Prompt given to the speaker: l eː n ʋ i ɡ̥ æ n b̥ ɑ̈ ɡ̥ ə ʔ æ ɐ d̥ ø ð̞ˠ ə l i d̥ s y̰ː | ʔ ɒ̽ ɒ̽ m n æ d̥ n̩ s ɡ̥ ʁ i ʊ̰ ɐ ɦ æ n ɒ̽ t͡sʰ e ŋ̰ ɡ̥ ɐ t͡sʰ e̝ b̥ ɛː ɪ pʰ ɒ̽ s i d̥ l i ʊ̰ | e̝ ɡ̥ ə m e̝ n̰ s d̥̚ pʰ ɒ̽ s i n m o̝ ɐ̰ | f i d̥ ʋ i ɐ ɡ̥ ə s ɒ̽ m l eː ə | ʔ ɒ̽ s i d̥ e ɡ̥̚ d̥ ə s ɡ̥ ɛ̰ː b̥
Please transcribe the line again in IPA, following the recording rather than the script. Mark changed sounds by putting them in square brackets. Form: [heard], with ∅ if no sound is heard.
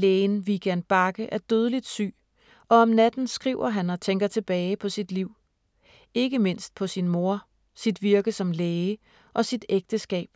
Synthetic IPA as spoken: l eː n ʋ i ɡ̥ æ n b̥ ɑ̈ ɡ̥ ə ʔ æ ɐ d̥ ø ð̞ˠ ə l i d̥ s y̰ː | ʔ ɒ̽ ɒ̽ m n æ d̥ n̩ s ɡ̥ ʁ i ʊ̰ ɐ ɦ æ n ɒ̽ t͡sʰ e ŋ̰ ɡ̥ ɐ t͡sʰ e̝ b̥ ɛː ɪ pʰ ɒ̽ s i d̥ l i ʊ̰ | e̝ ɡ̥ ə m e̝ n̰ s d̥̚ pʰ ɒ̽ s i n m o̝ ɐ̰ | [s] i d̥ ʋ i ɐ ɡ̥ ə s ɒ̽ m l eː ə | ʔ ɒ̽ s i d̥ e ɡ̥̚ d̥ ə s ɡ̥ ɛ̰ː b̥